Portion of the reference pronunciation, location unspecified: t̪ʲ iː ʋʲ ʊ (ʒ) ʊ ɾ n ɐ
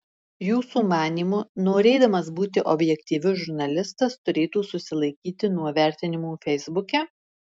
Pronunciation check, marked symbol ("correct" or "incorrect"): correct